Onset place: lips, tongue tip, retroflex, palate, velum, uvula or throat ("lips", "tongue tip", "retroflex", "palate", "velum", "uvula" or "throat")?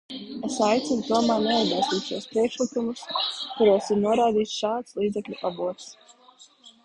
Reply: tongue tip